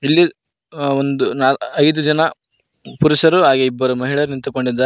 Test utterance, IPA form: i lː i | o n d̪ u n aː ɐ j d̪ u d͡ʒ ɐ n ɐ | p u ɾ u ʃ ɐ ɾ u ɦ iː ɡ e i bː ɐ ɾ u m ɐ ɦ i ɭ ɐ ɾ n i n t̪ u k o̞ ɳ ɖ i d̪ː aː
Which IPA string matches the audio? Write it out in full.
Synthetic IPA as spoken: i lː i | o n d̪ u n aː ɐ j d̪ u d͡ʒ ɐ n ɐ | p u ɾ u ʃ ɐ ɾ u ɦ aː ɡ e i bː ɐ ɾ u m ɐ ɦ i ɭ ɐ ɾ n i n t̪ u k o̞ ɳ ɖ i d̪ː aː